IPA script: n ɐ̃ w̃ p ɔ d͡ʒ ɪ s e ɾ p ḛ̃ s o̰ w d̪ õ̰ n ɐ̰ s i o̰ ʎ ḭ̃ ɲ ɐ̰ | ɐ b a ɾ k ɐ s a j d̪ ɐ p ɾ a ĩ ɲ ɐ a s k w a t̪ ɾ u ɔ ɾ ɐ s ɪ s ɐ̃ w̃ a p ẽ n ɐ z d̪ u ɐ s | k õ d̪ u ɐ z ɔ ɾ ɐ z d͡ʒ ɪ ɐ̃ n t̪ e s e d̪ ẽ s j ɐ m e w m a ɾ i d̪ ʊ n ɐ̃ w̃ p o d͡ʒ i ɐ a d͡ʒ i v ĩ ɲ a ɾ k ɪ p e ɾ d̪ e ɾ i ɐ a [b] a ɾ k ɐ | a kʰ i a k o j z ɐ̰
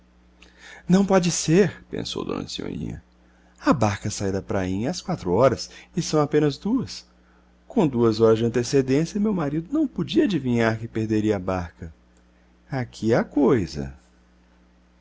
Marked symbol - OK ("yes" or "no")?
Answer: yes